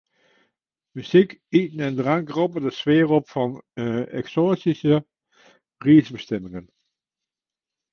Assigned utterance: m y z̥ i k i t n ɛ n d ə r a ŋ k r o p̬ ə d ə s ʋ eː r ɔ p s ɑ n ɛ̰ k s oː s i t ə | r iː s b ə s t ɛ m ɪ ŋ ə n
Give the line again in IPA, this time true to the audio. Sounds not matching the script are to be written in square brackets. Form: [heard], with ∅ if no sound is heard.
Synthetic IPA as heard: m y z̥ i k i t n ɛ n d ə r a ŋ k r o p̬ ə d ə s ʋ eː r ɔ p [f] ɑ n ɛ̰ k s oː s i [s] ə | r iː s b ə s t ɛ m ɪ ŋ ə n